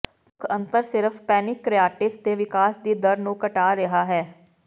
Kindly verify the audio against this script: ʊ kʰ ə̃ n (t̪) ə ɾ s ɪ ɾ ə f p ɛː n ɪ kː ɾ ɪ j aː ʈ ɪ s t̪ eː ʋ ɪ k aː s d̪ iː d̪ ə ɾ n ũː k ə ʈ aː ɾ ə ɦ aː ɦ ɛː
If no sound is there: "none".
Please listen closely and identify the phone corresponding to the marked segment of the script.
t̪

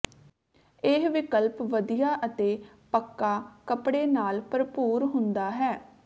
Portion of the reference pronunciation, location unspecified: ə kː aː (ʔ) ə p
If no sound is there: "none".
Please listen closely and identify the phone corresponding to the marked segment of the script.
k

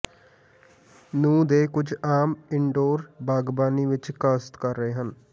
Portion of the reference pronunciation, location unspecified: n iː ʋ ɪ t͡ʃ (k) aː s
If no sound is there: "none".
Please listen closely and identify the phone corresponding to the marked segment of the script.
k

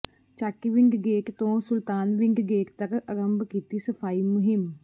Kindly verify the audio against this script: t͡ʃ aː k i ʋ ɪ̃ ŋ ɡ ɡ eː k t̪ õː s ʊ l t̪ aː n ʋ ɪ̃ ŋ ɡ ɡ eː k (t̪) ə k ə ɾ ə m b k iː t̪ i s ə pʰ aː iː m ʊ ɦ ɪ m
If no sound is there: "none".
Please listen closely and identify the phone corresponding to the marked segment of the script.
t̪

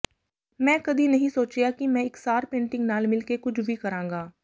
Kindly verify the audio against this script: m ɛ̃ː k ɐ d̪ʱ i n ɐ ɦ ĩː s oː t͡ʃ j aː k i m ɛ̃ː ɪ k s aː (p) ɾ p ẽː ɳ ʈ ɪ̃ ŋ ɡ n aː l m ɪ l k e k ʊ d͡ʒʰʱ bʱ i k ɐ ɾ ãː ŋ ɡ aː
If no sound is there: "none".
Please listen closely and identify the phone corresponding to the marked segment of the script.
none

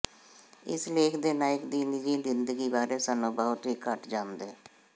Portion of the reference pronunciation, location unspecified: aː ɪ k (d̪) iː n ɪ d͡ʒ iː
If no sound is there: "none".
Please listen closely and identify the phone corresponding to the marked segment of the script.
d̪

